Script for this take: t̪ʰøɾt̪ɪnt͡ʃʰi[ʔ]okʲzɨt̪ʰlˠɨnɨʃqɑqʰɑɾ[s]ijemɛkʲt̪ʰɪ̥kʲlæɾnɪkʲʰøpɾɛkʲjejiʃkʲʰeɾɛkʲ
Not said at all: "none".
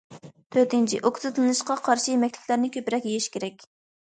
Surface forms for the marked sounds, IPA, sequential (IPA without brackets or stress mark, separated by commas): ʔ, ʃ